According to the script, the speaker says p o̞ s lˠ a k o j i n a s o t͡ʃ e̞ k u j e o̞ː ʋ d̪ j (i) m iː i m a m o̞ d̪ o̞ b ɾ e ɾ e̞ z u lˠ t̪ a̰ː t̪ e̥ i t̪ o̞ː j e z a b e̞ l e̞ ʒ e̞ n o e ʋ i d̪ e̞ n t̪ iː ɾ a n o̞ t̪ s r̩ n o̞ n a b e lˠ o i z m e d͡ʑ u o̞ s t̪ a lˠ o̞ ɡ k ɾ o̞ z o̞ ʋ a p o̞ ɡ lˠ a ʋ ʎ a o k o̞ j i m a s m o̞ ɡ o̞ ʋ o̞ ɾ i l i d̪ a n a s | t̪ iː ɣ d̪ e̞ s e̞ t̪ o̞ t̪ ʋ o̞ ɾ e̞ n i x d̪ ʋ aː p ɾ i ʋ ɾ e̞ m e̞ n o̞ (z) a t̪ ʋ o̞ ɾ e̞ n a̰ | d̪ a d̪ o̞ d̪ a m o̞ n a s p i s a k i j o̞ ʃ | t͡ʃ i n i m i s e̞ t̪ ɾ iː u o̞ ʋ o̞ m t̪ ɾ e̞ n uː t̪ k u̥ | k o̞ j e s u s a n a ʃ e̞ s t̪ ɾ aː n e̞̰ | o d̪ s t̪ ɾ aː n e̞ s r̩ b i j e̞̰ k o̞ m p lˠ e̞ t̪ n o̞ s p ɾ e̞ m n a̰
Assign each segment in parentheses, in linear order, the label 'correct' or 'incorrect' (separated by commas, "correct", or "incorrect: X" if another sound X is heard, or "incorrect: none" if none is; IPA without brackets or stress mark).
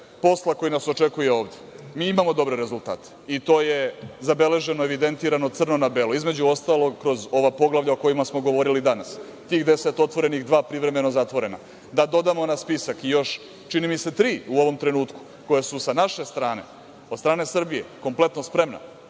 incorrect: e, correct